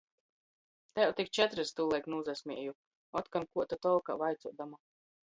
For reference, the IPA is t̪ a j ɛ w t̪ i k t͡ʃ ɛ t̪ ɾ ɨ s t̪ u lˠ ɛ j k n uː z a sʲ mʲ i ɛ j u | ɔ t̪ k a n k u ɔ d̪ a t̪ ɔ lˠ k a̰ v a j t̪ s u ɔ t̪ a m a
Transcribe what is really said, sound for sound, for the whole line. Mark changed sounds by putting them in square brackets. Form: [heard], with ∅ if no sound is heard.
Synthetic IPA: t̪ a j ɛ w t̪ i k t͡ʃ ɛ t̪ ɾ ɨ s t̪ u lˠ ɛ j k n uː z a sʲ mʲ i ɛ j u | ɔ t̪ k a n k u ɔ [t̪] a t̪ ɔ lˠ k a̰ v a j t̪ s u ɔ [d̪] a m a